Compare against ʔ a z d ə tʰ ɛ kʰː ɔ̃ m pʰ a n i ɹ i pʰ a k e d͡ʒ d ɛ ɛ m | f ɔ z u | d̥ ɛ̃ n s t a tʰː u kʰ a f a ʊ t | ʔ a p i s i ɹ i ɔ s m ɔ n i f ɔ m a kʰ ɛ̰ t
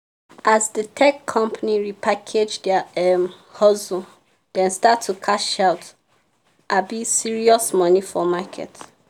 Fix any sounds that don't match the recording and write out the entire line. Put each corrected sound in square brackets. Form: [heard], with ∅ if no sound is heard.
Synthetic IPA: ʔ a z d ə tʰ ɛ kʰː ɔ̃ m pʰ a n i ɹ i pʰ a [kʰ] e d͡ʒ d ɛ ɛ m | [h] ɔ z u | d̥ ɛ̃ n s t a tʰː u kʰ a [ʃ] a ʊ t | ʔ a [b] i s i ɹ i ɔ s m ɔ n i f ɔ m a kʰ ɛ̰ t